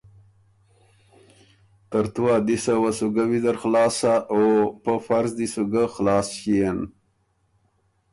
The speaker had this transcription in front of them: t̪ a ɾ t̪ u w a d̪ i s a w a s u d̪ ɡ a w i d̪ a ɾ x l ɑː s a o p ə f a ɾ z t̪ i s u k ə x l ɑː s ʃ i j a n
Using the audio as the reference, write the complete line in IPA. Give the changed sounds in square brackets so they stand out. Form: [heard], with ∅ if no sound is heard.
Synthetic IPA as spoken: t̪ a ɾ t̪ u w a d̪ i s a w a s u [∅] ɡ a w i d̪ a ɾ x l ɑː s a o p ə f a ɾ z [d̪] i s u [ɡ] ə x l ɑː s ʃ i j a n